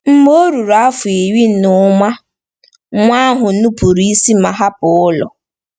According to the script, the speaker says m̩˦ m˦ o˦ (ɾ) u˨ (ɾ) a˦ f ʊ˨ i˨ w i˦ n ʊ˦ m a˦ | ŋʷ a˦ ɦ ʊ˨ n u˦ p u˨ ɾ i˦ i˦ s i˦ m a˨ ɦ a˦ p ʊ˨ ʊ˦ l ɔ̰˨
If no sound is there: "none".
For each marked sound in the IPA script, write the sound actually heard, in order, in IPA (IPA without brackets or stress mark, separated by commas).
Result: ɾ, ɾ